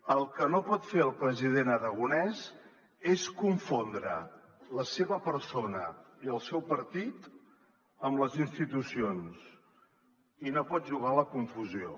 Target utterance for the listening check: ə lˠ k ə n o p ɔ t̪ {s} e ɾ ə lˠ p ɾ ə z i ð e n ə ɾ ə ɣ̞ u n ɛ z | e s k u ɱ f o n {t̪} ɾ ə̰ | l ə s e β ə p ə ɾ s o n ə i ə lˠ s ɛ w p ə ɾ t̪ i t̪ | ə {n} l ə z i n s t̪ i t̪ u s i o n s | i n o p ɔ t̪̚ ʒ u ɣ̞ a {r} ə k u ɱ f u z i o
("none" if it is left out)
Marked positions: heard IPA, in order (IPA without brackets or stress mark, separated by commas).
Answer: f, d̪, m, l